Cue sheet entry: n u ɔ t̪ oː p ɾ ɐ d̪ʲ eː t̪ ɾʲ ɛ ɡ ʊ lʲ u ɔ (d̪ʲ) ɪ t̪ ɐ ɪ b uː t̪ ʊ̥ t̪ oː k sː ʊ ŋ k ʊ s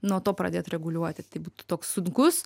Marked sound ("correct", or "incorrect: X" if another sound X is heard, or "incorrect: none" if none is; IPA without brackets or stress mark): incorrect: t̪ʲ